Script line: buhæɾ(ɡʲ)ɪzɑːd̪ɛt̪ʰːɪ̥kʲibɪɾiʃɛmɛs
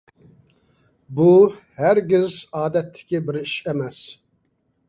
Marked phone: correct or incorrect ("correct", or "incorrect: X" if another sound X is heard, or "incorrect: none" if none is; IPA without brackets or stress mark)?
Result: correct